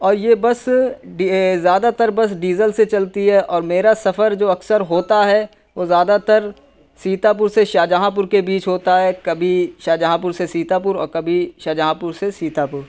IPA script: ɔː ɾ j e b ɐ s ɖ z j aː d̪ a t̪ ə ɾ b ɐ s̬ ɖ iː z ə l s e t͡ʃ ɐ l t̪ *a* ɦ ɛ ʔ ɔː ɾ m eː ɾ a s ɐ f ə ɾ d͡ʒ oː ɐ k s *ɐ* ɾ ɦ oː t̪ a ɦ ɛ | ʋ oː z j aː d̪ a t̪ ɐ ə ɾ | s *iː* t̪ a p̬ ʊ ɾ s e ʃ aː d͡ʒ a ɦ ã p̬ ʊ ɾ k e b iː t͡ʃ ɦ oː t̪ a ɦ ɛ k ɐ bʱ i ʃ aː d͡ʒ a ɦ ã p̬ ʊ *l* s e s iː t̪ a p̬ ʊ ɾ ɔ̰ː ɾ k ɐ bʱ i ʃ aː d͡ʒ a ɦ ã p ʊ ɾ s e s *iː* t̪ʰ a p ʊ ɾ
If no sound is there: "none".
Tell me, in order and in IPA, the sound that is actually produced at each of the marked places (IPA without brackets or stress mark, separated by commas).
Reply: i, ə, iː, ɾ, iː